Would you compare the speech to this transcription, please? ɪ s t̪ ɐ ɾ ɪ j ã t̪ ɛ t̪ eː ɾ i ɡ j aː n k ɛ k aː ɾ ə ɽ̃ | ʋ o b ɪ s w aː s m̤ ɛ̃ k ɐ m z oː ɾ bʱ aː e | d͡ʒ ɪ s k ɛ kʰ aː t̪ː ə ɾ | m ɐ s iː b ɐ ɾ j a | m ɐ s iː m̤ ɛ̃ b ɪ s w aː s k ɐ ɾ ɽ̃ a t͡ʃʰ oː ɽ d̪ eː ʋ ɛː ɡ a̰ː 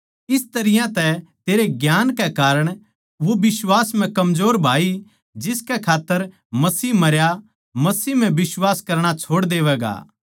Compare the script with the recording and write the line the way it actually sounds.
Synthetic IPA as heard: ɪ s t̪ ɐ ɾ ɪ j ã t̪ ɛ t̪ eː ɾ e ɡ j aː n k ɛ k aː ɾ ə ɽ̃ | ʋ o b ɪ s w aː s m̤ ɛ̃ k ɐ m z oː ɾ bʱ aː i | d͡ʒ ɪ s k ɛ kʰ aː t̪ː ə ɾ | m ɐ s iː m ɐ ɾ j a | m ɐ s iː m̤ ɛ̃ b ɪ s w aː s k ɐ ɾ ɽ̃ a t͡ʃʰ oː ɽ d̪ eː ʋ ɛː ɡ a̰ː